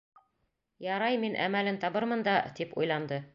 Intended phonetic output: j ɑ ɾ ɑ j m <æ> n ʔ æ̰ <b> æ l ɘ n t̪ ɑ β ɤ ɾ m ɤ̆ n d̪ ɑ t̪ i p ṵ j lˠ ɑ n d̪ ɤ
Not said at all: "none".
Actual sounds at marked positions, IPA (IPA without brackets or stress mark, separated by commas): i, m